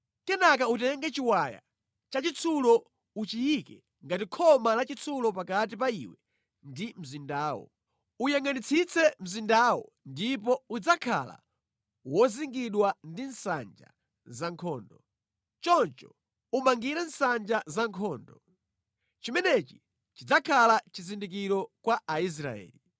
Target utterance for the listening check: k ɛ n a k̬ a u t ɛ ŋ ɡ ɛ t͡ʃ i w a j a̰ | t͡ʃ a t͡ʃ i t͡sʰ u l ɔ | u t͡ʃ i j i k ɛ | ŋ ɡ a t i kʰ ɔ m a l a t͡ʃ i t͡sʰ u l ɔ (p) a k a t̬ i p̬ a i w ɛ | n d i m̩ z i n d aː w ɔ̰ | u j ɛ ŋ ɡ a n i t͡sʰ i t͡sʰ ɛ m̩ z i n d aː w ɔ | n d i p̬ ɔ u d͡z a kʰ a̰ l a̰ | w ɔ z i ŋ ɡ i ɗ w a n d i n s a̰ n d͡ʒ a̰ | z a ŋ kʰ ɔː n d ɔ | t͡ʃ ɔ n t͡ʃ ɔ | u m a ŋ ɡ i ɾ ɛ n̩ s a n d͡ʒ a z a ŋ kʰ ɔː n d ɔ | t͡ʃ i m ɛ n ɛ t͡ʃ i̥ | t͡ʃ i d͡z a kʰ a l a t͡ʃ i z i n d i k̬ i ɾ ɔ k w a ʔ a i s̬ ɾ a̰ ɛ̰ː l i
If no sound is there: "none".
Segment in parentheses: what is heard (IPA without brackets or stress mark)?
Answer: p